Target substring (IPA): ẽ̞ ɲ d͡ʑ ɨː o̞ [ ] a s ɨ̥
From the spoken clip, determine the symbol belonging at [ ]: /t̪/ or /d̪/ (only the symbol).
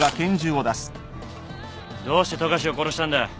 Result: d̪